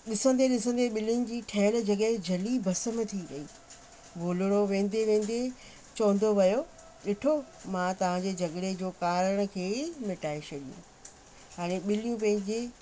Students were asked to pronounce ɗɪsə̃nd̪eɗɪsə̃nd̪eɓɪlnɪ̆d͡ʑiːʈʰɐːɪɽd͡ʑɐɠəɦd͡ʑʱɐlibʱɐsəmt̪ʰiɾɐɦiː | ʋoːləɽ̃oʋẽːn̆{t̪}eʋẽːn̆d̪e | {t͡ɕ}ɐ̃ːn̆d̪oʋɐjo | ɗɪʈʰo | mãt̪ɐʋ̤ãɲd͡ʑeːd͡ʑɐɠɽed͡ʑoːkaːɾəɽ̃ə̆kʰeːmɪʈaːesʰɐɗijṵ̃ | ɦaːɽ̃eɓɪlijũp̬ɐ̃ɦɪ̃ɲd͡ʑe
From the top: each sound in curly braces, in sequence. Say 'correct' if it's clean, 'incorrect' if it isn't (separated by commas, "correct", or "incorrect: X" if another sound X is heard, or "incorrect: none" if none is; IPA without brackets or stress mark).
incorrect: d̪, correct